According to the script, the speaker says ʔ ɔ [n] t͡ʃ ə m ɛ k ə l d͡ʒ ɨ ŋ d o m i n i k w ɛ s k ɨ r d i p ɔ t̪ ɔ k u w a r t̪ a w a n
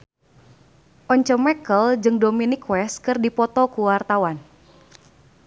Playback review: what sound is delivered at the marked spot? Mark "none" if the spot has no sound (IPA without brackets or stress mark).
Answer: ɲ